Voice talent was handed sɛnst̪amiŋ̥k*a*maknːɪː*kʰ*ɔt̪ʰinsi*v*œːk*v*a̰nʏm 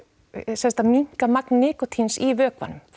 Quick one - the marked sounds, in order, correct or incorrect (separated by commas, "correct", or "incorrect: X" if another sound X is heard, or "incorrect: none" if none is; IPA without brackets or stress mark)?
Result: correct, incorrect: k, correct, correct